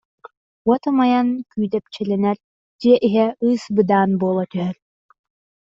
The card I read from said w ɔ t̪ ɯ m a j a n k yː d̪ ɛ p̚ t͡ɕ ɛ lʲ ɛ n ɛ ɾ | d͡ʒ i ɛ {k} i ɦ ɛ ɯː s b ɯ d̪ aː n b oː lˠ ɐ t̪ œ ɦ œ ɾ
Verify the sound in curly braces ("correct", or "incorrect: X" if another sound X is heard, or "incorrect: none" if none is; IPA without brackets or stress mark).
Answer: incorrect: ʔ